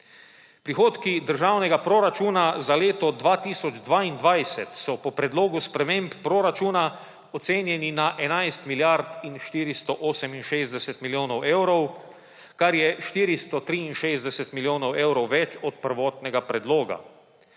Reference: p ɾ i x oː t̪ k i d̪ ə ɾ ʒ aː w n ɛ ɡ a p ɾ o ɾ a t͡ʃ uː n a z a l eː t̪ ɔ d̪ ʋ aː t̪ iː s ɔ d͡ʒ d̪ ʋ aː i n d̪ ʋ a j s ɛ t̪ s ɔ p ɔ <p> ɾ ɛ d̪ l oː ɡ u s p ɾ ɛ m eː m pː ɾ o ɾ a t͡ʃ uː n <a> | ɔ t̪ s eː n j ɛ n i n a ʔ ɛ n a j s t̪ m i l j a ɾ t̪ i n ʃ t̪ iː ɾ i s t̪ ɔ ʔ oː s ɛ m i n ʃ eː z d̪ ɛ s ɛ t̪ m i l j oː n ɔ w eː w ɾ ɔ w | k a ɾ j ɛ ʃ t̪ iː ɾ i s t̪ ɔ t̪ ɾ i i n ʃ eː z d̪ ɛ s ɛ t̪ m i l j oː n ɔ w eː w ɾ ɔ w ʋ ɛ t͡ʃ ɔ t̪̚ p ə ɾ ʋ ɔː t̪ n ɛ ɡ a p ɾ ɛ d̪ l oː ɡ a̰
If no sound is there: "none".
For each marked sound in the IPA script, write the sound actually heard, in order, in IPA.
p, a

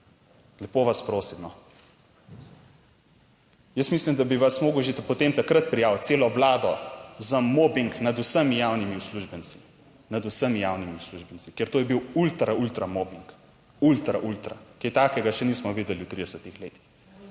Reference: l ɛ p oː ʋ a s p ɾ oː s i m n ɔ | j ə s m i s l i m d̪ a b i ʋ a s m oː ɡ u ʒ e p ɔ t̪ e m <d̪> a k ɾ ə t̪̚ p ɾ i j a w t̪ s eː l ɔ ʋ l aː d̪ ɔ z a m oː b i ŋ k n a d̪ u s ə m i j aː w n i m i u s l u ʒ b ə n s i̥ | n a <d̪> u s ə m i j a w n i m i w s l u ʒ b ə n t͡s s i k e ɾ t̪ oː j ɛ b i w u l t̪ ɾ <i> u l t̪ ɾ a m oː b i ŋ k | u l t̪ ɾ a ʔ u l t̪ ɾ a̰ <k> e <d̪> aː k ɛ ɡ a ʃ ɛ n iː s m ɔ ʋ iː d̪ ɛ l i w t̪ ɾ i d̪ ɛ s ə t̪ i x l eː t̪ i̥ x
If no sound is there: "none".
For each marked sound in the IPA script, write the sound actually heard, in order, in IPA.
t̪, d̪, a, k, t̪

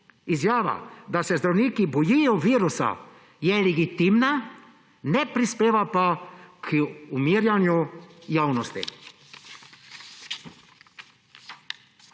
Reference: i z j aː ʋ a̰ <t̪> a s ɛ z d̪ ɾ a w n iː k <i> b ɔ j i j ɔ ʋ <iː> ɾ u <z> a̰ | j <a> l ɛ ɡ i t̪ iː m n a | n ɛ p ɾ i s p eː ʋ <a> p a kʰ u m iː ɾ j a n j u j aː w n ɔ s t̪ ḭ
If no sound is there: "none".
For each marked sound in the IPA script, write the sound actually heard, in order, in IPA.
d̪, i, iː, s, ɛ, a

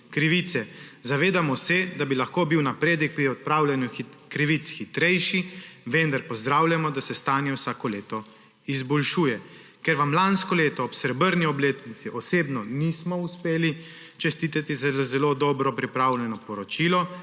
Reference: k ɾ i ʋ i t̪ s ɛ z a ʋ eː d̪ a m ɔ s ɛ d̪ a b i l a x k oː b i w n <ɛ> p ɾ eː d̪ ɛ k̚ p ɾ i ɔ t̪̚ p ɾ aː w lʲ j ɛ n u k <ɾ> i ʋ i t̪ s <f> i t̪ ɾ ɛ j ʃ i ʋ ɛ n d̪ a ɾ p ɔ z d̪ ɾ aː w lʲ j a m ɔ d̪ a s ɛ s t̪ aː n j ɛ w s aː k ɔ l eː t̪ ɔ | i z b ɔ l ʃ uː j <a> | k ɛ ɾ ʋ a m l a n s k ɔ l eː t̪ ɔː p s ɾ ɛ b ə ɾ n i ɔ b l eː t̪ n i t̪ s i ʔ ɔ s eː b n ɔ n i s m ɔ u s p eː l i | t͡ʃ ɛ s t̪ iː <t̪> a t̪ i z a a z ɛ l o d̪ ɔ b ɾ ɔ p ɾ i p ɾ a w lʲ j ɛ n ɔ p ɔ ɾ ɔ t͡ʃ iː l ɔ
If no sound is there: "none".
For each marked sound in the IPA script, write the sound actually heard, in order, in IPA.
a, ɾ, x, ɛ, t̪

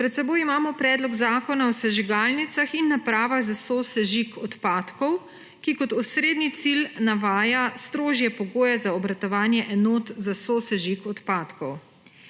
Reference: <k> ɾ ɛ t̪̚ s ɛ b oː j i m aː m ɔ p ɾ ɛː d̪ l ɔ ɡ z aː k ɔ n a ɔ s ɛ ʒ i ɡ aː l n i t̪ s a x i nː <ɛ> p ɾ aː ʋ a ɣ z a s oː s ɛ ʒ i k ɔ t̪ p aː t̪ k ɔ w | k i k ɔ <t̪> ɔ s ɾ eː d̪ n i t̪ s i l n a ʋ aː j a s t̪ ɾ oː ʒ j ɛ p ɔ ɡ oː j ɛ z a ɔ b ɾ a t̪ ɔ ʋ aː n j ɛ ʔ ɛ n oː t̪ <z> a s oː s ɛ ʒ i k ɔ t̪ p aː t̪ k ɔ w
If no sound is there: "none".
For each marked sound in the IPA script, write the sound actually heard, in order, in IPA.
p, a, t̪, z

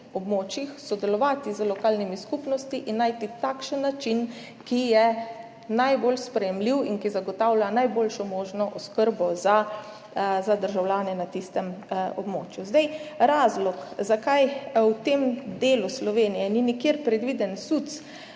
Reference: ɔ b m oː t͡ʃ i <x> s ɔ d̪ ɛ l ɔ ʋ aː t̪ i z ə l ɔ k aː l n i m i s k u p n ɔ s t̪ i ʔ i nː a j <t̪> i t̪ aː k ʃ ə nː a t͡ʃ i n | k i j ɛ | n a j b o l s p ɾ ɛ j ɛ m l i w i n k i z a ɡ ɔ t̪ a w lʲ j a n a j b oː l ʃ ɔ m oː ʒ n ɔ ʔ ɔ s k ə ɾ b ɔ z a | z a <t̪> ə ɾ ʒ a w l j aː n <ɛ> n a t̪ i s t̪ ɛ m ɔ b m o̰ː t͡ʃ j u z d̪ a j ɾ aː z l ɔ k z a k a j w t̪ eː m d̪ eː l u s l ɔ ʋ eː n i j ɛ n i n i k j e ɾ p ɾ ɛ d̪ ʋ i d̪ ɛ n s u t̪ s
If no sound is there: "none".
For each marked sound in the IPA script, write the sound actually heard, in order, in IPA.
x, t̪, d̪, ɛ

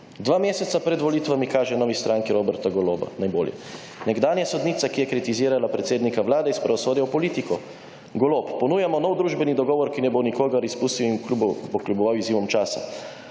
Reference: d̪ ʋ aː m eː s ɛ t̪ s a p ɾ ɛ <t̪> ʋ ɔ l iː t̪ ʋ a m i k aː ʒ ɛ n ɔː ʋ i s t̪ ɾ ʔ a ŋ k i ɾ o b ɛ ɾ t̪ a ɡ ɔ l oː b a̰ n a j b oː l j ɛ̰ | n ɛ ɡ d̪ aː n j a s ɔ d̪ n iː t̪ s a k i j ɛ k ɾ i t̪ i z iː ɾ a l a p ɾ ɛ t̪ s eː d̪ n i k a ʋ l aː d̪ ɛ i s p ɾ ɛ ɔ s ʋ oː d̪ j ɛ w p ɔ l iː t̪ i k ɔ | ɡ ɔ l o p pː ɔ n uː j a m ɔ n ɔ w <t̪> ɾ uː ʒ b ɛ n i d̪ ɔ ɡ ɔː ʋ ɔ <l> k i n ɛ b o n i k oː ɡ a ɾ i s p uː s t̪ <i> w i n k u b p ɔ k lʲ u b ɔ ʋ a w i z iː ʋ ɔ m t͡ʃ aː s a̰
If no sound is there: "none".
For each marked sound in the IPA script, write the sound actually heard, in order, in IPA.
d̪, d̪, ɾ, i

